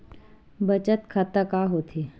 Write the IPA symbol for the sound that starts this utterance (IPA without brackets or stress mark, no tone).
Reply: b